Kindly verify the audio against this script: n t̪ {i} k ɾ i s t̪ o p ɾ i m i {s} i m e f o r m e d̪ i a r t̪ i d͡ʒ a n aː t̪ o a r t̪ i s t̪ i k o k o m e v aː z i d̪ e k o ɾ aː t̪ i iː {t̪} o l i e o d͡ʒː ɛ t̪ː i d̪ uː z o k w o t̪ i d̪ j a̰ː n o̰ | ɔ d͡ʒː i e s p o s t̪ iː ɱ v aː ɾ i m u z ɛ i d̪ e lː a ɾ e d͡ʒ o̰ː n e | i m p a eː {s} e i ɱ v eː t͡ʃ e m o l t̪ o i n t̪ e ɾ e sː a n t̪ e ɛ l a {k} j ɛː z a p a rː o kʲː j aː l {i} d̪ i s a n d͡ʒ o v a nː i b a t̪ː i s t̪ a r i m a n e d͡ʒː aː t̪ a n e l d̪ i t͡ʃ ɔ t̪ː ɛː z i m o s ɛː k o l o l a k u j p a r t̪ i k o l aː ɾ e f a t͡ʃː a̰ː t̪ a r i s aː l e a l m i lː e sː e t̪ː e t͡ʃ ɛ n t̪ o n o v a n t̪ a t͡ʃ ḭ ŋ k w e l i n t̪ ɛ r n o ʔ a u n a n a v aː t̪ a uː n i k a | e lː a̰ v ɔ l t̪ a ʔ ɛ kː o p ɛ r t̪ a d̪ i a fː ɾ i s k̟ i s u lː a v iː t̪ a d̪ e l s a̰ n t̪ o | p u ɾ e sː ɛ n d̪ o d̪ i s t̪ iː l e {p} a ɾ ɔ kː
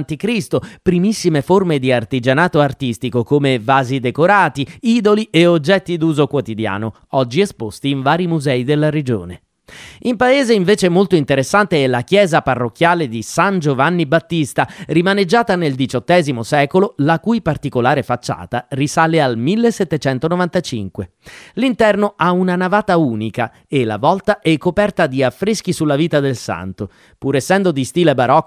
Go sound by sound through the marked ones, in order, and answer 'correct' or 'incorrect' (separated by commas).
correct, incorrect, incorrect, incorrect, correct, incorrect, incorrect